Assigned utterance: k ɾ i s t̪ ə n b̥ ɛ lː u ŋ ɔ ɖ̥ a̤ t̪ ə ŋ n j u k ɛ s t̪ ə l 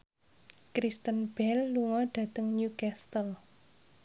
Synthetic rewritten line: k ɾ i s t̪ ə n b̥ ɛ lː u ŋ ɔ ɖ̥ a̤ t̪ ə ŋ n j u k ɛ s t̪ ə l